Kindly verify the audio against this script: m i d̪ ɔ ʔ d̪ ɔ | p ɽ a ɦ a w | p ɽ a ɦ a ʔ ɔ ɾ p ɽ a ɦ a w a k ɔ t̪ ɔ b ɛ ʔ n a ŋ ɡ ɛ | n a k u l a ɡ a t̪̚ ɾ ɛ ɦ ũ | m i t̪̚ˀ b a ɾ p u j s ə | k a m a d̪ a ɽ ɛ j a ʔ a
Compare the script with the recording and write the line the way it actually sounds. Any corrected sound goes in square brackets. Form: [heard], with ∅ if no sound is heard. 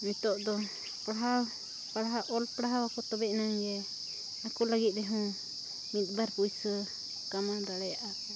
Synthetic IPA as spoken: m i [t̪] ɔ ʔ d̪ ɔ | p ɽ a ɦ a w | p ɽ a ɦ a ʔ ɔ [l] p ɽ a ɦ a w a k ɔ t̪ ɔ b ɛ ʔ n a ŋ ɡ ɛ | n a k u l a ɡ [i] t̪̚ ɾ ɛ ɦ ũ | m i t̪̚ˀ b a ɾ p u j s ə | k a m a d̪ a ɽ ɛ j a ʔ a